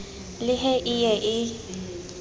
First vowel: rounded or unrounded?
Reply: unrounded